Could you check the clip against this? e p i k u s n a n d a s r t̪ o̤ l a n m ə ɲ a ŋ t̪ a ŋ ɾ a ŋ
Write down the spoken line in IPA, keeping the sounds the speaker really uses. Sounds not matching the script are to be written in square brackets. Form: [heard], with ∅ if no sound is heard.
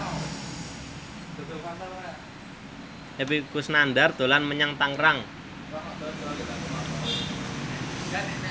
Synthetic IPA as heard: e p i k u s n a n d a [∅] r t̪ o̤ l a n m ə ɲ a ŋ t̪ a ŋ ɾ a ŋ